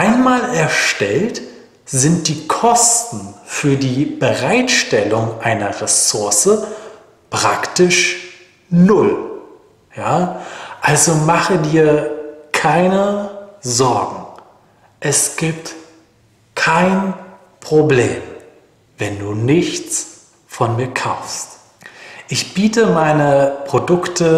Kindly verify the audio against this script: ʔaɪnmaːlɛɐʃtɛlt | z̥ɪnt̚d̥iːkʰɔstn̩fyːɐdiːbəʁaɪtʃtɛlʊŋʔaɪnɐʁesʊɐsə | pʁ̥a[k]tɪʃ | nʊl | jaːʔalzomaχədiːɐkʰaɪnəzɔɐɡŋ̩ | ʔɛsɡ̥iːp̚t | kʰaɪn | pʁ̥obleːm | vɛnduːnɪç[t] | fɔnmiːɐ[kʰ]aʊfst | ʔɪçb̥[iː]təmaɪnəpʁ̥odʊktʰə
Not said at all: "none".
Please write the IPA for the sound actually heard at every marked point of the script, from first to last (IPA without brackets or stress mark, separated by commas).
k, t͡s, kʰ, iː